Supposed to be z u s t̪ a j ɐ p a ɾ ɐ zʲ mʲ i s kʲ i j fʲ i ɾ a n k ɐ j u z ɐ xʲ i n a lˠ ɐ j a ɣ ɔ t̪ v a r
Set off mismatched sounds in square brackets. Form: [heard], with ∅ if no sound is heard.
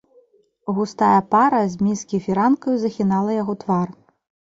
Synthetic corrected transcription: [ɣ] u s t̪ a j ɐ p a ɾ ɐ zʲ mʲ i s kʲ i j fʲ i ɾ a n k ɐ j u z ɐ xʲ i n a lˠ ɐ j a ɣ ɔ t̪ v a r